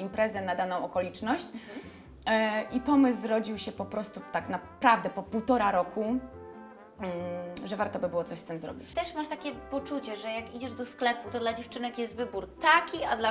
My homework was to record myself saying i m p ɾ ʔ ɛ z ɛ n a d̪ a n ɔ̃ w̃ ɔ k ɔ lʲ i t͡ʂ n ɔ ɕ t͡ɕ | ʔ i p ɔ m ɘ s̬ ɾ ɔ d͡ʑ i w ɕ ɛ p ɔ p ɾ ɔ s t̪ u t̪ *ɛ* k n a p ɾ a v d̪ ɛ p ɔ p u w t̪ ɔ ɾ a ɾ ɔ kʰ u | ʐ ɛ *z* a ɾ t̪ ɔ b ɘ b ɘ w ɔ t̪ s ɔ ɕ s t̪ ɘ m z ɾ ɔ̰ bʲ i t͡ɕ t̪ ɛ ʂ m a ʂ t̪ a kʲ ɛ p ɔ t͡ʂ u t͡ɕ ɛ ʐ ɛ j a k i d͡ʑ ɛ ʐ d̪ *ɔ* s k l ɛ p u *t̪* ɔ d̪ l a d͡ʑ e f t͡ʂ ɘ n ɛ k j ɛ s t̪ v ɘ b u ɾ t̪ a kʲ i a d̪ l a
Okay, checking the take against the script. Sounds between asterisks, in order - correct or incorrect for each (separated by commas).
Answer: incorrect, incorrect, correct, correct